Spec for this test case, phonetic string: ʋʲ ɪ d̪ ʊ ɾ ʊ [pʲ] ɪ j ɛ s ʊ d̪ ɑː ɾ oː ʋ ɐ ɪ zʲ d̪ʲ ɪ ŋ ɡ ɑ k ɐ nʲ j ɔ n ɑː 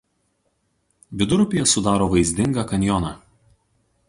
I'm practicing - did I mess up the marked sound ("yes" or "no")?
no